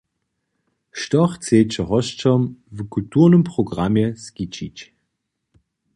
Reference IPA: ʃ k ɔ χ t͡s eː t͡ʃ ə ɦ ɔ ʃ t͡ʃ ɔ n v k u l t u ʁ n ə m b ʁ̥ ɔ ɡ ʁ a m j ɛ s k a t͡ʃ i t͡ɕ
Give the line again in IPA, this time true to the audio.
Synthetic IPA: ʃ t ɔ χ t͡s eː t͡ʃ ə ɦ ɔ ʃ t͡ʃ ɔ m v k u l t u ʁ n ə m p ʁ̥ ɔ ɡ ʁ a m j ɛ s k i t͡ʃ i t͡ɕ